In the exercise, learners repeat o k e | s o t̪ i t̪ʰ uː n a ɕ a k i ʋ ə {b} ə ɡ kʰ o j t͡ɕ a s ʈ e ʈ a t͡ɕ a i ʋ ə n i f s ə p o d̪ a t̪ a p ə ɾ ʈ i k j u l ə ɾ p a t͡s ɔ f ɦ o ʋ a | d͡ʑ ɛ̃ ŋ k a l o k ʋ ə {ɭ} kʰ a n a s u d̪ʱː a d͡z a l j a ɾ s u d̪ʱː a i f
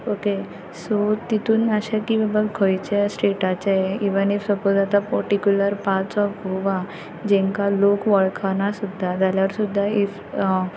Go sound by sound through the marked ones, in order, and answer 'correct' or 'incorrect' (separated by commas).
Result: correct, correct